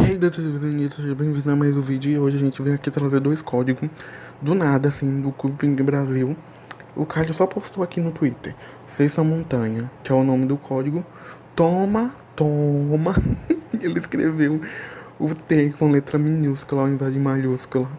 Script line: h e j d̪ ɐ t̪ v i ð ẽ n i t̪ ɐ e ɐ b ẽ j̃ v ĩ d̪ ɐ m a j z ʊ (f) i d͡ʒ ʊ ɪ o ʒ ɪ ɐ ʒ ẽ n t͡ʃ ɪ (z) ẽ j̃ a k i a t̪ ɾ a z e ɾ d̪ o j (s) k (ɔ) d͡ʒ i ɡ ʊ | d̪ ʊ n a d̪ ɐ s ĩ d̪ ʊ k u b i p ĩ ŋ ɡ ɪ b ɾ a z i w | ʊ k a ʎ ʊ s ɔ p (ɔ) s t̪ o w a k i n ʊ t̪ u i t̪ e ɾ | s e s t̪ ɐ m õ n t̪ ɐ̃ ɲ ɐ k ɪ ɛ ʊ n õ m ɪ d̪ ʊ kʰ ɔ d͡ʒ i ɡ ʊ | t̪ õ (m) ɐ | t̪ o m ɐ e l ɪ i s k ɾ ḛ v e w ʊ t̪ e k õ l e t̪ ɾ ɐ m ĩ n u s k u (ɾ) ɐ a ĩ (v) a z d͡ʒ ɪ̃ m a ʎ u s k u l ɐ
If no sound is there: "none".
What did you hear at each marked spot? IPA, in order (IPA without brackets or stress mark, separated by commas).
v, v, s, ɔ, o, m, l, v